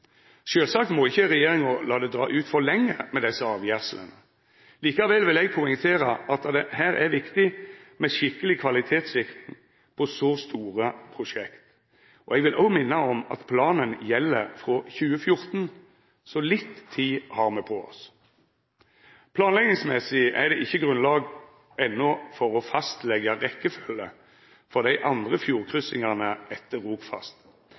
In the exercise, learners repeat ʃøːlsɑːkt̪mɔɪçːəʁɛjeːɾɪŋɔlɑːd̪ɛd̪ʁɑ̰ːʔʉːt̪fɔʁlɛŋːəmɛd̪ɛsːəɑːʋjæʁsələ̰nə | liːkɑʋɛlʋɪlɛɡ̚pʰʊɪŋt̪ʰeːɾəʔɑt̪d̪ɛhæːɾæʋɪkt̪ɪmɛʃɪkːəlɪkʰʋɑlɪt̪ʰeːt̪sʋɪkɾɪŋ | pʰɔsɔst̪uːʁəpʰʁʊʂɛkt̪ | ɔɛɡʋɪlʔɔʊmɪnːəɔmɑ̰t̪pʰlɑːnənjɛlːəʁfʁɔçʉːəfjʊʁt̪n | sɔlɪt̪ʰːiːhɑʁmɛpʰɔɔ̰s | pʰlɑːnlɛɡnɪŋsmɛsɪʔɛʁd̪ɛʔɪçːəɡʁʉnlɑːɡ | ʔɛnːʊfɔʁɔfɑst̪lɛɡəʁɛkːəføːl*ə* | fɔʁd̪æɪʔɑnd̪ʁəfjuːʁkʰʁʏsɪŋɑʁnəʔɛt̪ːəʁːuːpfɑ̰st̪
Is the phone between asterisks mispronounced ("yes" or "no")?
no